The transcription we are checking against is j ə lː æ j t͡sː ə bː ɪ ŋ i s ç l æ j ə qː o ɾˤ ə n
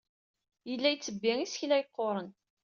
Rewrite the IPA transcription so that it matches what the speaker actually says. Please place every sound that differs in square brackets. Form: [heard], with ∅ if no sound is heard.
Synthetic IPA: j ə lː æ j t͡sː ə bː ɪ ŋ i s ç l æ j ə qː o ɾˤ ə n